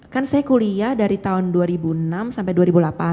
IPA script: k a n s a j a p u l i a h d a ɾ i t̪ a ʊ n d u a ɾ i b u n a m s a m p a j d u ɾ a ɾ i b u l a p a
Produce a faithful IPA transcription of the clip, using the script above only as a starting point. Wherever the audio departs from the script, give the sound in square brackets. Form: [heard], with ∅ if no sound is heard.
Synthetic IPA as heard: k a n s a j a [k] u l i a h d a ɾ i t̪ a ʊ n d u a ɾ i b u n a m s a m p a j d u [∅] a ɾ i b u l a p a